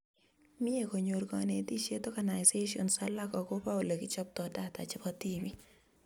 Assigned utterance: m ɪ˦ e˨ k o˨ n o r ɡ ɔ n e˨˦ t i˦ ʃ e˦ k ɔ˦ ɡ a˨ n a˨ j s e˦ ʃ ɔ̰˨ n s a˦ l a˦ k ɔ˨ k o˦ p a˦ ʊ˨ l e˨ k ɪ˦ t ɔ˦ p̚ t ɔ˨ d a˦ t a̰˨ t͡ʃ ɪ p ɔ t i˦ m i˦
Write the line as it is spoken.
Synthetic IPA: m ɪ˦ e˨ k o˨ ɲ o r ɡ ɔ n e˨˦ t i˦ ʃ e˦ t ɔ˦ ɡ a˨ n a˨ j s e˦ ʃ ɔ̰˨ n s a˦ l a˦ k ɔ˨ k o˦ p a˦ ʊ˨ l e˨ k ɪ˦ t͡ʃ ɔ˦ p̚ t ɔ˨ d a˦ t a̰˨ t͡ʃ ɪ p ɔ t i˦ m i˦